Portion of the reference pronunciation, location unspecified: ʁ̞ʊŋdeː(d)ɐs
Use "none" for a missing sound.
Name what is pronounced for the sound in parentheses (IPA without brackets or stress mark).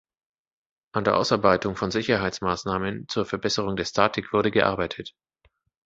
none